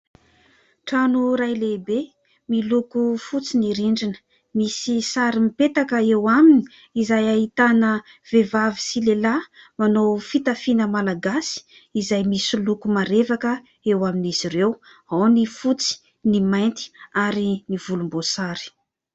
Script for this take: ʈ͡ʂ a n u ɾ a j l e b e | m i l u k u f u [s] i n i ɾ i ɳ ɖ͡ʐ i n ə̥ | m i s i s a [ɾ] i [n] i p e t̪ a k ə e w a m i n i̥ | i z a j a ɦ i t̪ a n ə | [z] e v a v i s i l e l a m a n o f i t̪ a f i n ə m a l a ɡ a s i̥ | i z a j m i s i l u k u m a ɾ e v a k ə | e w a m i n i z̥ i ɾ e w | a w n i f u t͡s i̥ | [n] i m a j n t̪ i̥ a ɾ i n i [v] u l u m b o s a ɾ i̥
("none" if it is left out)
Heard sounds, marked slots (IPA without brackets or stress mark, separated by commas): t͡s, ɾ, m, v, n, v